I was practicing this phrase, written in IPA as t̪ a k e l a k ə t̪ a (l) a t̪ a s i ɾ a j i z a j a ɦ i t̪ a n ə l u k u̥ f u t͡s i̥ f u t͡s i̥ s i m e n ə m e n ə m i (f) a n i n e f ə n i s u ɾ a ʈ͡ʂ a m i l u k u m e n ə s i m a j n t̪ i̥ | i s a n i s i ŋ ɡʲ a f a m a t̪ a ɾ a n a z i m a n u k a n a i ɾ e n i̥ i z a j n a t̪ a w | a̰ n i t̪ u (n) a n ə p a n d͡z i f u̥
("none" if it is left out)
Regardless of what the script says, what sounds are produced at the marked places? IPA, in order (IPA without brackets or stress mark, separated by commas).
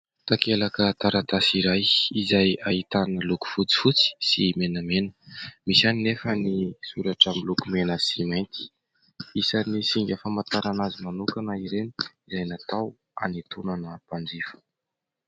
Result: ɾ, s, n